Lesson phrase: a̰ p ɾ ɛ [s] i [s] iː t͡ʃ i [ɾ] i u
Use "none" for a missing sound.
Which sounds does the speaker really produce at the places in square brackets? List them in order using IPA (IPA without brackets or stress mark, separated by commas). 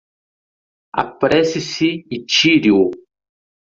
s, s, ɾ